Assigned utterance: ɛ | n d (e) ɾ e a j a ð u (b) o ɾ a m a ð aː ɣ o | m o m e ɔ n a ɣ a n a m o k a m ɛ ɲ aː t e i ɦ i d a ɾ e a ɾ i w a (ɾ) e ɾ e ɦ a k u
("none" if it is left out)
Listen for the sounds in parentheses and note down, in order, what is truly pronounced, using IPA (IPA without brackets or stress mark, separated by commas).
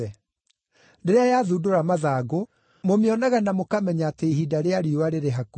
e, d, ɾ